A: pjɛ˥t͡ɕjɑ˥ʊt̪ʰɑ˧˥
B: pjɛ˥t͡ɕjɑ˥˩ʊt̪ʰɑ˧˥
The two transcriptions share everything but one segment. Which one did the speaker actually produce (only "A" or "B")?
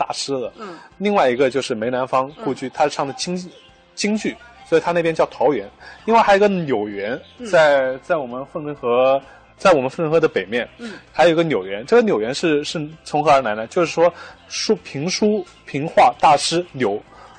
B